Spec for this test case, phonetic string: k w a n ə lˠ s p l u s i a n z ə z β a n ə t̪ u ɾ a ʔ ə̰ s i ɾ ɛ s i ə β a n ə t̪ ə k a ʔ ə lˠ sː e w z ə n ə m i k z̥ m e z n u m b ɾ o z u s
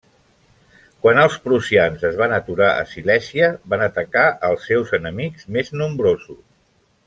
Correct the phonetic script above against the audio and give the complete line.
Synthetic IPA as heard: k w a n ə lˠ s p ɾ u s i a n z ə z β a n ə t̪ u ɾ a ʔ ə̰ s i l ɛ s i ə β a n ə t̪ ə k a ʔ ə lˠ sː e w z ə n ə m i k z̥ m e z n u m b ɾ o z u s